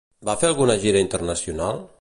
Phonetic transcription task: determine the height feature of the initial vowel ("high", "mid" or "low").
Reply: low